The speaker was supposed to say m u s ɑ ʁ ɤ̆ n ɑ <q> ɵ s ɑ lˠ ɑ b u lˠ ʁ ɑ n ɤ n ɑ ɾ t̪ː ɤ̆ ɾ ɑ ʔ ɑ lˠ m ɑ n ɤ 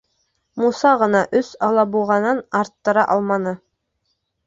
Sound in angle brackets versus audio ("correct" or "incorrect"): incorrect